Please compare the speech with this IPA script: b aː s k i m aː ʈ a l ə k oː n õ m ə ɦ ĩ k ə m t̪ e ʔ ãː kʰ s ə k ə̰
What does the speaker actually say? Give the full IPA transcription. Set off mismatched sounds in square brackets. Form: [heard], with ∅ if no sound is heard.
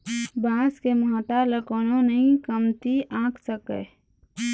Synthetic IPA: b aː s k [e] m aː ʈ a l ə k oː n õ [n] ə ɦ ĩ k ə m t̪ [i] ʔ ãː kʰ s ə k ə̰